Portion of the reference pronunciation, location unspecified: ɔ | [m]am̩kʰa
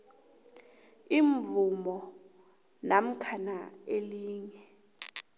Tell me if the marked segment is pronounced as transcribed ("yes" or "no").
no